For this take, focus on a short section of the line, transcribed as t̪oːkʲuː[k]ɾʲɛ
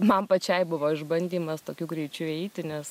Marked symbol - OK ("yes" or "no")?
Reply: no